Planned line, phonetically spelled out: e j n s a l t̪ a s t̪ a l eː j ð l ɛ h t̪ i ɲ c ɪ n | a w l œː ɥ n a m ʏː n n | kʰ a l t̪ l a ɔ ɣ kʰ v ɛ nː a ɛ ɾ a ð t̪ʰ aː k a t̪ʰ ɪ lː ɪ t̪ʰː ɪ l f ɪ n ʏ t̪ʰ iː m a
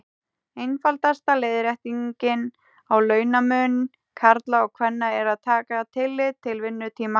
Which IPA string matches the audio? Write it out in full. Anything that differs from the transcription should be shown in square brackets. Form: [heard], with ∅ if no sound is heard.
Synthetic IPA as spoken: e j n [f] a l t̪ a s t̪ a l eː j ð [ɾ] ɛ h t̪ i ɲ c ɪ n | a w l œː ɥ n a m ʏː n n | kʰ a [ɾ] t̪ l a ɔ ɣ kʰ v ɛ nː a ɛ ɾ a ð t̪ʰ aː k a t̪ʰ ɪ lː ɪ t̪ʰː ɪ l [v] ɪ [nː] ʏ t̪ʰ iː m a